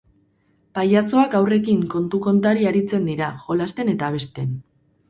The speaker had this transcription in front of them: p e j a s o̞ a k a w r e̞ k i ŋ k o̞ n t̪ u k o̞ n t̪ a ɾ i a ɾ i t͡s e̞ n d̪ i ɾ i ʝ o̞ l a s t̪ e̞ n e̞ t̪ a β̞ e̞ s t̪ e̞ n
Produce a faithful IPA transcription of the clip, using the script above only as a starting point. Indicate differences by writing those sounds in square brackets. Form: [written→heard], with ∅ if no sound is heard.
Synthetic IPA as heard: p [e→a] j a s o̞ a k a w r e̞ k i ŋ k o̞ n t̪ u k o̞ n t̪ a ɾ i a ɾ i t͡s e̞ n d̪ i ɾ [i→a] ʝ o̞ l a s t̪ e̞ n e̞ t̪ a β̞ e̞ s t̪ e̞ n